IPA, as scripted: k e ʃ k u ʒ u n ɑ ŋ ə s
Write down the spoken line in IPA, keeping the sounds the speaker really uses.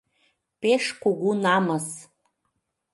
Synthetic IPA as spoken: p e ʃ k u ɣ u n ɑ m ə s